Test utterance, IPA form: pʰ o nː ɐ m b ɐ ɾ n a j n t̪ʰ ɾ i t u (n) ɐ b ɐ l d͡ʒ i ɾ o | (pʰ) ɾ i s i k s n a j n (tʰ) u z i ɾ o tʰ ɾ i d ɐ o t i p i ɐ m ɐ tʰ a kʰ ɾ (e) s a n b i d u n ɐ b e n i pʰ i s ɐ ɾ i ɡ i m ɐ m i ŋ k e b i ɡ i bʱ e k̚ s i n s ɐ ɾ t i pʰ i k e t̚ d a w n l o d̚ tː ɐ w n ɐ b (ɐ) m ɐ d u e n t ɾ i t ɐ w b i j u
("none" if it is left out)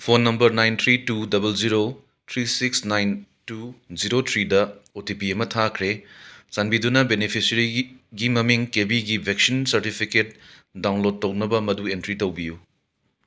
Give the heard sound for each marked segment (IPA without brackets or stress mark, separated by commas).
d, tʰ, t, e, ɐ